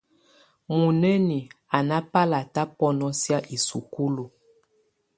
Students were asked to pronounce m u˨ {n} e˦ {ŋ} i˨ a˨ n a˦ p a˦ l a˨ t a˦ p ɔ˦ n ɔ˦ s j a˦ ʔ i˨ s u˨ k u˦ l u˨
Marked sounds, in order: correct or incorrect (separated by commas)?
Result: correct, incorrect